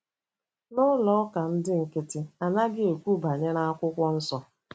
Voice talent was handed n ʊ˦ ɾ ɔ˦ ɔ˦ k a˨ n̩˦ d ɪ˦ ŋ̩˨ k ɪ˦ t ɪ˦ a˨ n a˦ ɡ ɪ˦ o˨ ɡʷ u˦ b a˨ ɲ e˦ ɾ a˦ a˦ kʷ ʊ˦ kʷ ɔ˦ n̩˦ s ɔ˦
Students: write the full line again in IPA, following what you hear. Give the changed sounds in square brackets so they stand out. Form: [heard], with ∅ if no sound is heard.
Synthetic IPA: n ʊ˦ [l] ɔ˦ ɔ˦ k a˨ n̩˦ d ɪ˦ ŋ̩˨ k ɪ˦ t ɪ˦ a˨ n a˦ ɡ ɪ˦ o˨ [kʷ] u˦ b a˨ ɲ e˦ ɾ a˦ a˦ kʷ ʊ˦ kʷ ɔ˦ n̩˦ s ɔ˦